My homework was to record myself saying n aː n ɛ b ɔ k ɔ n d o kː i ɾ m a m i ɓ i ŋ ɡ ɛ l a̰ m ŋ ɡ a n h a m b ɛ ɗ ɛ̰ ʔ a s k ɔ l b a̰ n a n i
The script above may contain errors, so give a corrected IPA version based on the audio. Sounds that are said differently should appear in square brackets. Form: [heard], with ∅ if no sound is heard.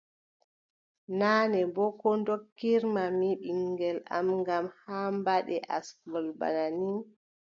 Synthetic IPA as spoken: n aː n ɛ b ɔ k ɔ n d o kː i ɾ m a m i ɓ i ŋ ɡ ɛ l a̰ m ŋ ɡ a [m] h a m b [a] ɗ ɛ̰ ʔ a s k ɔ l b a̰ n a n i